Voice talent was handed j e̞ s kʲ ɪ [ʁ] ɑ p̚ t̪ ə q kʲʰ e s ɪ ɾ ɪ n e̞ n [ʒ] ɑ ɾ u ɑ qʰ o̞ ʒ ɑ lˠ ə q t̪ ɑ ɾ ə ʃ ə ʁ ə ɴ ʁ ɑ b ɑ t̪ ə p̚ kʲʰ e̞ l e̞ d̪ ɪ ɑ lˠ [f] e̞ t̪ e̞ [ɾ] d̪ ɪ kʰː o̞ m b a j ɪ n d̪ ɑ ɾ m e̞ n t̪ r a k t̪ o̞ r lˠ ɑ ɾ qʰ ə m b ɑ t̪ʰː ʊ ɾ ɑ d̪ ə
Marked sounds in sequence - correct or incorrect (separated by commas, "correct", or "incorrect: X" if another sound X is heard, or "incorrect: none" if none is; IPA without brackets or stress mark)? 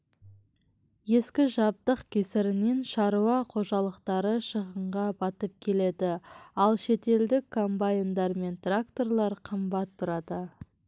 incorrect: ʒ, incorrect: ʃ, incorrect: ʃ, incorrect: l